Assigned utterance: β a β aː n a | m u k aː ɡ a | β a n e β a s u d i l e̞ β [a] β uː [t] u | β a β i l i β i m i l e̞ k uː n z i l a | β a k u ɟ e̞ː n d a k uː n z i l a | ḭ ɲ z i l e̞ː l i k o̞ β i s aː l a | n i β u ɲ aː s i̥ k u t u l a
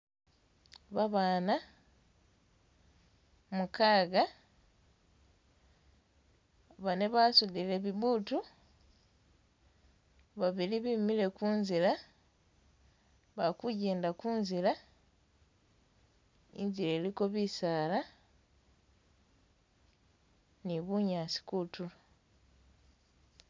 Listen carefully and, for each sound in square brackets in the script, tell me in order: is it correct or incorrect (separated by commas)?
incorrect, correct